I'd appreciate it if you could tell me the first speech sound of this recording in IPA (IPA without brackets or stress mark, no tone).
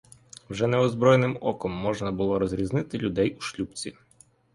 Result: w